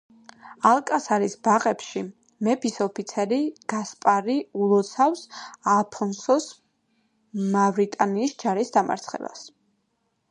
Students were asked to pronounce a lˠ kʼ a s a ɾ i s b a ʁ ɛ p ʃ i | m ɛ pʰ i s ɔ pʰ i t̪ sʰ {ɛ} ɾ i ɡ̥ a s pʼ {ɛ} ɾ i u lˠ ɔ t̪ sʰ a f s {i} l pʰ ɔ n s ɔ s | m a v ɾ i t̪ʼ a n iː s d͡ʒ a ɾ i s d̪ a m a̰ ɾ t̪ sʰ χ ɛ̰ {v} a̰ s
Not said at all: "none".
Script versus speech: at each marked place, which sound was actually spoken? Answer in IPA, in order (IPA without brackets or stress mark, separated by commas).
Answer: ɛ, a, a, b